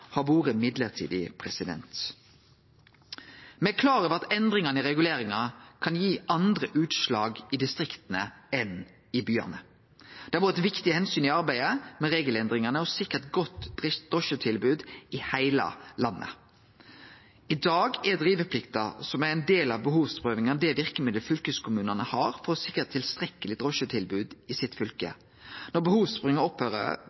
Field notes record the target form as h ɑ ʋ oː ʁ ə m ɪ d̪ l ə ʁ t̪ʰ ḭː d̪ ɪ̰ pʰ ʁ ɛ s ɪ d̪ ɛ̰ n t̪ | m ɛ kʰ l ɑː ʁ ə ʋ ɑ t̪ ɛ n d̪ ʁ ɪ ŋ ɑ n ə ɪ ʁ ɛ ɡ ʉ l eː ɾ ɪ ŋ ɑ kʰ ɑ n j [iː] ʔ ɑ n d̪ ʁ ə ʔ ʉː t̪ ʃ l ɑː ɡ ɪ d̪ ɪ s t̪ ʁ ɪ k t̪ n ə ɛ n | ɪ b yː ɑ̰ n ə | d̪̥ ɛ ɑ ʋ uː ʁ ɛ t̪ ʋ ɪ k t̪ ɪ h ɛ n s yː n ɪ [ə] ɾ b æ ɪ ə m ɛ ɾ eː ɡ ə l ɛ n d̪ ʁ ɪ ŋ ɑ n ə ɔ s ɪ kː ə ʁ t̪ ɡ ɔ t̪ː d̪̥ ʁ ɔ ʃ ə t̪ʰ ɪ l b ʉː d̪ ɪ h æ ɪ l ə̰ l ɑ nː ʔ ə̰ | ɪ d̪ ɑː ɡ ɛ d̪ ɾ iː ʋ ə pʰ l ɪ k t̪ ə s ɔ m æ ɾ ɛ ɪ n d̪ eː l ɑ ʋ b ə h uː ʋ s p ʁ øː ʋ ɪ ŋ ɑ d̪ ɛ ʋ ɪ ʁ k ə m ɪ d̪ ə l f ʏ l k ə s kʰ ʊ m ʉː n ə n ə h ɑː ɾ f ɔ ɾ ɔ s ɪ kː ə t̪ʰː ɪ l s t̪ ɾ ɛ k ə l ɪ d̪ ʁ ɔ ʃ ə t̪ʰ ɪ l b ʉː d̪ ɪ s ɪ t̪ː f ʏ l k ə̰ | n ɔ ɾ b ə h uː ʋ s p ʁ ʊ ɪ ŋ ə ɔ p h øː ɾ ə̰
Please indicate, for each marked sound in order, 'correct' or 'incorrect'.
correct, incorrect: ɑ

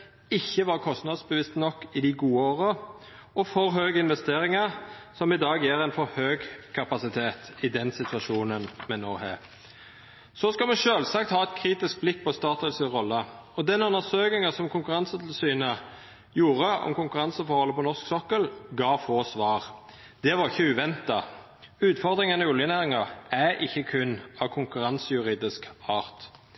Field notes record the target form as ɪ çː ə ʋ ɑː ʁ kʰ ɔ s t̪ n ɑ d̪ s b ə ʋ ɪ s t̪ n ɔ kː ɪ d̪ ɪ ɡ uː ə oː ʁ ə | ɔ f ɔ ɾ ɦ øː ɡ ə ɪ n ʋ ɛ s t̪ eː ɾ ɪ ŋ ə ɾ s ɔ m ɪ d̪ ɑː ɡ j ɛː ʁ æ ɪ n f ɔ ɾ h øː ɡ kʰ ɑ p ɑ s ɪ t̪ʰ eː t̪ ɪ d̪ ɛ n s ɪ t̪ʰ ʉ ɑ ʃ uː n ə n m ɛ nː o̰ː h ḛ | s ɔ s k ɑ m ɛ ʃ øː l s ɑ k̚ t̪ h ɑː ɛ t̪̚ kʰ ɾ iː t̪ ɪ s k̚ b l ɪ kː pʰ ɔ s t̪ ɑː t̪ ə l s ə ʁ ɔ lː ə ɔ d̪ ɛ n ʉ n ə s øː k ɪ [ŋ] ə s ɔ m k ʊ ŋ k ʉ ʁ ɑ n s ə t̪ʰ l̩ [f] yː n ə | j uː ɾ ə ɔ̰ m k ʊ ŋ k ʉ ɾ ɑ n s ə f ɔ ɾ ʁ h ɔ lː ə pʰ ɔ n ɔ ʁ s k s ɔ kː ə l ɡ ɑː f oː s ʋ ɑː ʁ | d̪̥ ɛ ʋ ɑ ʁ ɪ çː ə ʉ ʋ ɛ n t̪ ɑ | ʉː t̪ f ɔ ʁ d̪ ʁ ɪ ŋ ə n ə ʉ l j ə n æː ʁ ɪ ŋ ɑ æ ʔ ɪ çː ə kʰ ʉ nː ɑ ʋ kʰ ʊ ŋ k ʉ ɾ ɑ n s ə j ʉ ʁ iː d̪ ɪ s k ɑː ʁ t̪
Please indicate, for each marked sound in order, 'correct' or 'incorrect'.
correct, incorrect: s

